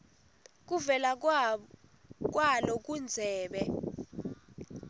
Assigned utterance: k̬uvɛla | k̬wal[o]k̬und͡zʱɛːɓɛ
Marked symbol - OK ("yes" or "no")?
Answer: no